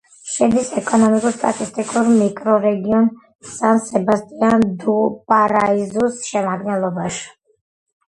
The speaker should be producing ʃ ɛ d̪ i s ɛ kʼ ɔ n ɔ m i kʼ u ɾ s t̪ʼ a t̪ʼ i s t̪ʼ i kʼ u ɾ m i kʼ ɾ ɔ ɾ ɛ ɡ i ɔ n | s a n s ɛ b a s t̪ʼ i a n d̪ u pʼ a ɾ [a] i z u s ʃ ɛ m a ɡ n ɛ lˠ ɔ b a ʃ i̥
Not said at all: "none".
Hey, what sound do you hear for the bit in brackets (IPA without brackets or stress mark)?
a